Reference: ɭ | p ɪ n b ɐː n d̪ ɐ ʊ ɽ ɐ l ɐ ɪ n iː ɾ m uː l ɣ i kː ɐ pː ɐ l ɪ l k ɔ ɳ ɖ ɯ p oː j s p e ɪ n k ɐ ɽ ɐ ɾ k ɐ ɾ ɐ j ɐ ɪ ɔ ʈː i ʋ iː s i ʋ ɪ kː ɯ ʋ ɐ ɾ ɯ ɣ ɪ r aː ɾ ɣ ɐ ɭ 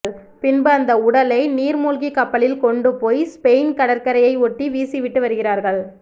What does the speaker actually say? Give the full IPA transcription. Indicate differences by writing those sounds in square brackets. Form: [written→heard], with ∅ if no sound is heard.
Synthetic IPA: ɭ | p ɪ n b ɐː n d̪ ɐ ʊ ɽ ɐ l ɐ ɪ n iː ɾ m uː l ɣ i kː ɐ pː ɐ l ɪ l k ɔ ɳ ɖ ɯ p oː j s p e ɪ n k ɐ ɽ ɐ ɾ k ɐ ɾ ɐ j ɐ ɪ ɔ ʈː i ʋ iː s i ʋ ɪ [kː→ʈː] ɯ ʋ ɐ ɾ ɯ ɣ ɪ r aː ɾ ɣ ɐ ɭ